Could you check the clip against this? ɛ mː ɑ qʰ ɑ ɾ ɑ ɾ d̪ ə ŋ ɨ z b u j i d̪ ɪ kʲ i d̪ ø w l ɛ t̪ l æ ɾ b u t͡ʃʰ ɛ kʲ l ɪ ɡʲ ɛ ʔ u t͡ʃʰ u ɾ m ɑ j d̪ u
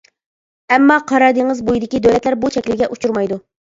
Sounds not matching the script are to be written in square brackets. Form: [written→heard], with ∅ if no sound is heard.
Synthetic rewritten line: ɛ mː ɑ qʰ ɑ ɾ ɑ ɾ d̪ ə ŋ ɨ z b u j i d̪ ɪ kʲ i d̪ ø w l ɛ t̪ l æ ɾ b u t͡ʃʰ ɛ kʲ l ɪ ɡʲ ɛ ʔ u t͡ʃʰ u ɾ m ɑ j d̪ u